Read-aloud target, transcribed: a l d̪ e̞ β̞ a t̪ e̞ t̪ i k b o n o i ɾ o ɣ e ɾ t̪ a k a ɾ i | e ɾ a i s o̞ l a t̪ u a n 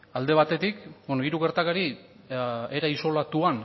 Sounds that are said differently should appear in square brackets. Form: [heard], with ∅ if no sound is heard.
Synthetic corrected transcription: a l d̪ e̞ β̞ a t̪ e̞ t̪ i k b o n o i ɾ [u] ɣ e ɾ t̪ a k a ɾ i | e ɾ a i s o̞ l a t̪ u a n